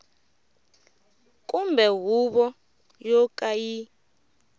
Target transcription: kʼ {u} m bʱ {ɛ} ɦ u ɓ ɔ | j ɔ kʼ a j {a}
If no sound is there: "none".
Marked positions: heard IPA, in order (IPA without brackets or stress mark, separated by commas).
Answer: u, ɛ, i